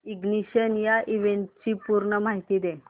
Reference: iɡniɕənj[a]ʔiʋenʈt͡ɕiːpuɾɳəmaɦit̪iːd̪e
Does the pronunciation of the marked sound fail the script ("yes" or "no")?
no